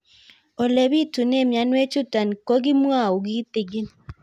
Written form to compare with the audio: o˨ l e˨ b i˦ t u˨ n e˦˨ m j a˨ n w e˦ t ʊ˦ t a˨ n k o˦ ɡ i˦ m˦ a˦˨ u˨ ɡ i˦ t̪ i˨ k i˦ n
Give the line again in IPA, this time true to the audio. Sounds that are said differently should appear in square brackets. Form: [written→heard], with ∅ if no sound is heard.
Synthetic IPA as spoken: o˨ l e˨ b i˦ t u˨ n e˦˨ m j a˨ n w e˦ [t→t͡ʃ] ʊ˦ t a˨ n k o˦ ɡ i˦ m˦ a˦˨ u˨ ɡ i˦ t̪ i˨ [k→ɡ] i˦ n